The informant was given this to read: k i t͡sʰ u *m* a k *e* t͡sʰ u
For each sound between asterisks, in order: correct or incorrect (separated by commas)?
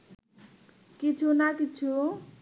incorrect, incorrect